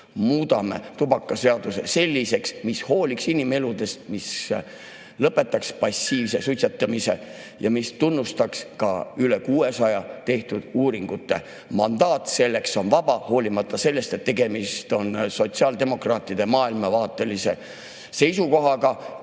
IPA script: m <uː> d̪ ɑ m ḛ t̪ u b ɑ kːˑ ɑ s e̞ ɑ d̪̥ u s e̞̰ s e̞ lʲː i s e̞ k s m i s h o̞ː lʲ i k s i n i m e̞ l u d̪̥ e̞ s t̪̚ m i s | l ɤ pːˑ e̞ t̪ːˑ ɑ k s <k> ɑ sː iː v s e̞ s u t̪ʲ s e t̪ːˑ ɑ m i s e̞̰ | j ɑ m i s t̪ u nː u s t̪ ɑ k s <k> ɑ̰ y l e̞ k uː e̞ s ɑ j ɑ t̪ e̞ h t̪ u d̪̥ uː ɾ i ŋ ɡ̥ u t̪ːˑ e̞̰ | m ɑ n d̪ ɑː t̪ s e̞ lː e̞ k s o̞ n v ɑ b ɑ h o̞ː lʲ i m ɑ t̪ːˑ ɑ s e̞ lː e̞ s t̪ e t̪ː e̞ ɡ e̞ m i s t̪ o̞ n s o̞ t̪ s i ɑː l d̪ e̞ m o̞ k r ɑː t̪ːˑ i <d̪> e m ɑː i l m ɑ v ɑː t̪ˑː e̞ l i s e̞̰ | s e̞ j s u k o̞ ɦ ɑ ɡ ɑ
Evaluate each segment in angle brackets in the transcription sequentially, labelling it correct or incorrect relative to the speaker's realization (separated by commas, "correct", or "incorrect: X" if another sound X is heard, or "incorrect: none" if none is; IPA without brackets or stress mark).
correct, incorrect: p, correct, correct